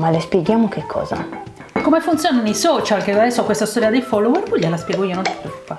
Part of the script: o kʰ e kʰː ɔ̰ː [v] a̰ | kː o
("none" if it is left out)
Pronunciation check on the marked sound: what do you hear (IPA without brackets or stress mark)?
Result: z